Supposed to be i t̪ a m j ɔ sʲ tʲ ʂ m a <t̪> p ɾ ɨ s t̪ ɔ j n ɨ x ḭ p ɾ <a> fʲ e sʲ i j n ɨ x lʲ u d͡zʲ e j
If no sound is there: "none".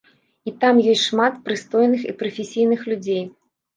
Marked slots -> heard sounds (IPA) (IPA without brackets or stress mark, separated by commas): t̪, ɐ